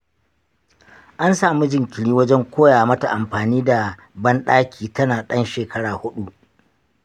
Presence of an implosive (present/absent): present